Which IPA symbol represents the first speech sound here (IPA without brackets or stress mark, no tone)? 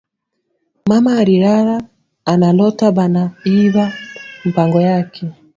m